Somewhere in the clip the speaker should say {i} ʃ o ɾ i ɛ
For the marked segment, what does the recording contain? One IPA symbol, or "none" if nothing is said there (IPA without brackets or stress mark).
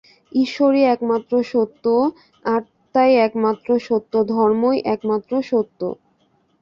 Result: i